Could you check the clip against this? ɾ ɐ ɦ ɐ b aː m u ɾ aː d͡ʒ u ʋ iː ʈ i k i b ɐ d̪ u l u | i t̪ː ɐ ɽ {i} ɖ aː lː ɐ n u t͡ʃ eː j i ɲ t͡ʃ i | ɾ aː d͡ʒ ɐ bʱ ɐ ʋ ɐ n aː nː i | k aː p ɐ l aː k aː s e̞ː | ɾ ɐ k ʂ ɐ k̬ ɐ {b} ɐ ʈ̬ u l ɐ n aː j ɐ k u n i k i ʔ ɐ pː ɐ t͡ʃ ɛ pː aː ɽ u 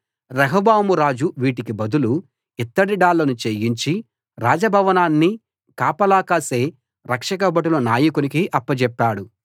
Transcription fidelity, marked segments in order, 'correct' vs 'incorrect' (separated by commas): correct, correct